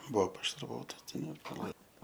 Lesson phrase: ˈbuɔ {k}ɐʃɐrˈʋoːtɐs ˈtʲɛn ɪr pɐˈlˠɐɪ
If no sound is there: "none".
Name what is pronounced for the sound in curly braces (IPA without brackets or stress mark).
p